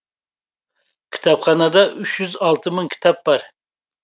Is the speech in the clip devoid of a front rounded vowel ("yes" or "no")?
no